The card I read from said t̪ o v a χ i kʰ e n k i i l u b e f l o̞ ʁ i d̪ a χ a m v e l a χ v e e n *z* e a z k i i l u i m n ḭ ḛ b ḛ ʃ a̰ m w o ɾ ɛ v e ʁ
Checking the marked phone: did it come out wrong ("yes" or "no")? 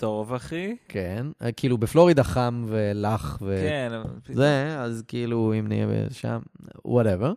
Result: no